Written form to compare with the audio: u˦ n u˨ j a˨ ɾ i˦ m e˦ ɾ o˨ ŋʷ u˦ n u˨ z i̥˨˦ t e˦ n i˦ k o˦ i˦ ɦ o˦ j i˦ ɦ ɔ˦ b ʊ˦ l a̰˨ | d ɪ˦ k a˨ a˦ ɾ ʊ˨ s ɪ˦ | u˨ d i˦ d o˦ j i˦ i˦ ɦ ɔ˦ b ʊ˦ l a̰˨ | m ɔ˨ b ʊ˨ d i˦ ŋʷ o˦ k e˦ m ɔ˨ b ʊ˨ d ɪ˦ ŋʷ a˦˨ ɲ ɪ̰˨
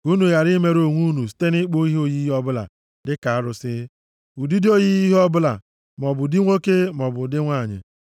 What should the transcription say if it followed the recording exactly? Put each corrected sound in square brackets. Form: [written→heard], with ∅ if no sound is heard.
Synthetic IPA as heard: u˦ n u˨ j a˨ ɾ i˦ m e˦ ɾ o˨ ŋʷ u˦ n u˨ [z→s] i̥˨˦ t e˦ n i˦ [k→k͡p] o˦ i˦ ɦ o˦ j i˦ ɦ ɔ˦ b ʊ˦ l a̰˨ | d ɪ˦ k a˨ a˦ ɾ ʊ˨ s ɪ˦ | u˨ d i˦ d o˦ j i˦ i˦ ɦ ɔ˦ b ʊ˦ l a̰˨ | m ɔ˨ b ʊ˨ d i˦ ŋʷ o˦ k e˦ m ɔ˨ b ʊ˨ d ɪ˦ ŋʷ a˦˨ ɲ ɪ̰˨